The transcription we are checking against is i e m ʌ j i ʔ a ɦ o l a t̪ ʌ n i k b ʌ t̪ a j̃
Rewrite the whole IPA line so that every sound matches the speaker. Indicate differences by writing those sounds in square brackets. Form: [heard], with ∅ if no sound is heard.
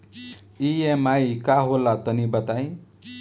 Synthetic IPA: i e m [a] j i [k] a ɦ o l a t̪ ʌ n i [∅] b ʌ t̪ a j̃